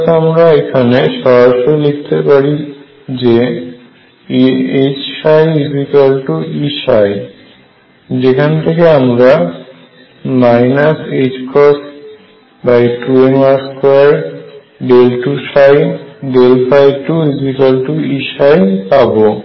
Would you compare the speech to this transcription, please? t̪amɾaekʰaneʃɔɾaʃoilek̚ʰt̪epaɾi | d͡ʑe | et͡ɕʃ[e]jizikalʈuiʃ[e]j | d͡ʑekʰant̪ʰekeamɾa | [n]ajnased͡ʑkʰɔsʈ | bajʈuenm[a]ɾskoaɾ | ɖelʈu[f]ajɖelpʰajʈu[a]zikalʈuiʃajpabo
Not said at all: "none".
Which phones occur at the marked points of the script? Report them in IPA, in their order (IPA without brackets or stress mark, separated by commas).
a, a, m, a, ʃ, i